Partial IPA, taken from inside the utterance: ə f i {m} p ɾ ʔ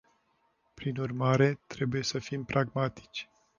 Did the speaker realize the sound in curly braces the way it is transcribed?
yes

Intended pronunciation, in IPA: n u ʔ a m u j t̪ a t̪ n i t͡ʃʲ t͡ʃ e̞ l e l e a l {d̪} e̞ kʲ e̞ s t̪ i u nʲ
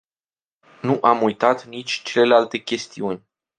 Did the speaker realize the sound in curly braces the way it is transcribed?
no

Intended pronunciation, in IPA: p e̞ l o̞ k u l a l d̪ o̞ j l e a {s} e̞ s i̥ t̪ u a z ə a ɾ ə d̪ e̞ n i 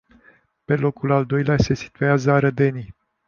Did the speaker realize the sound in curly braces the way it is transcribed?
yes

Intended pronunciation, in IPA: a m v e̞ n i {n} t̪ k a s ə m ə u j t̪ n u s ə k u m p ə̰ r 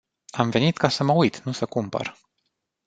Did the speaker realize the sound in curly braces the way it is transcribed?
no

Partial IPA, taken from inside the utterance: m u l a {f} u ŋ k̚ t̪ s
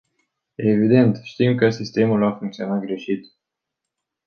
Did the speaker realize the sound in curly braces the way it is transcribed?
yes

